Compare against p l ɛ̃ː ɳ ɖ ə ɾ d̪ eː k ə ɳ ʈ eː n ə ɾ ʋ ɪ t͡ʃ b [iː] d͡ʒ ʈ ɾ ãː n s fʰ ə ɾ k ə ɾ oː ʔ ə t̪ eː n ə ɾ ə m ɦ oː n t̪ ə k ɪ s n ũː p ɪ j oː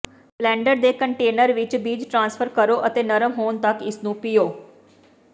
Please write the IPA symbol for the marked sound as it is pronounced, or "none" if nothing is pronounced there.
iː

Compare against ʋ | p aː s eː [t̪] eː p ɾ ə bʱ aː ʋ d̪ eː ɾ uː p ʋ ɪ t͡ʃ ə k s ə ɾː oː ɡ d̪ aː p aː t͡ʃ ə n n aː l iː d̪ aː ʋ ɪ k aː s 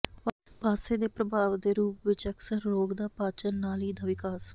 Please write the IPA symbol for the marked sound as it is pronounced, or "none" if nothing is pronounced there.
d̪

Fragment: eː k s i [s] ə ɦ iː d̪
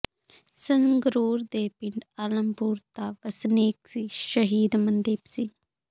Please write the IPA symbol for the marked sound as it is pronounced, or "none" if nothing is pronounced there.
ʃ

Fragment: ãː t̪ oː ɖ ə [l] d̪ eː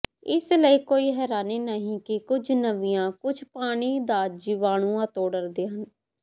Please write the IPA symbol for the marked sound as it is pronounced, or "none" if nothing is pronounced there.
ɾ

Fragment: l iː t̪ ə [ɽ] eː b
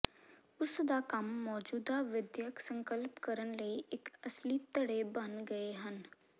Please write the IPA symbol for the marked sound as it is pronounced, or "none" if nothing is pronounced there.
ɽ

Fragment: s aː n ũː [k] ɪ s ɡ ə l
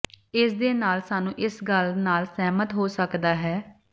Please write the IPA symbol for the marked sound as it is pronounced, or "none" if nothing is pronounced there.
ʔ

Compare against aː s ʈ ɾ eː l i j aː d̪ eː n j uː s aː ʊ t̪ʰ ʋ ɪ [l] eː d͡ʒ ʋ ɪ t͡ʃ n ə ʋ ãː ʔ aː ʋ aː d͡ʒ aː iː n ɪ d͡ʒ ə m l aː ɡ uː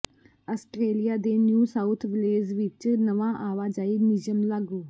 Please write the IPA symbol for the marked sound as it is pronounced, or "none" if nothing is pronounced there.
l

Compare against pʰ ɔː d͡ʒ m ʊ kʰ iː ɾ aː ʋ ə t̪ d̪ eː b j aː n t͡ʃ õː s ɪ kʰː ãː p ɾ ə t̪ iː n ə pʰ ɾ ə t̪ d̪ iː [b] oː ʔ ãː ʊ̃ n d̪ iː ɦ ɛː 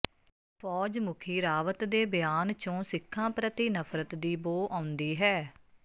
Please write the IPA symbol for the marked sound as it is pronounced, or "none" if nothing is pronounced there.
b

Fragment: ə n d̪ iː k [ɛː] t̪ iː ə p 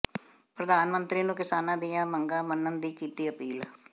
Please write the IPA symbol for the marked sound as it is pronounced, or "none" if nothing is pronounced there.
iː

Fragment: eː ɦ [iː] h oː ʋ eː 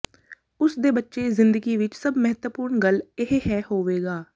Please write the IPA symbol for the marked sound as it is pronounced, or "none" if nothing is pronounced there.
ɛː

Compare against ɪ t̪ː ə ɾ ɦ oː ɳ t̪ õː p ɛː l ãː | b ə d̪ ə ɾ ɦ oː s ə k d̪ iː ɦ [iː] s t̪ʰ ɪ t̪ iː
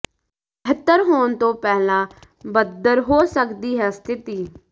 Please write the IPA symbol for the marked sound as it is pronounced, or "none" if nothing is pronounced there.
ɛː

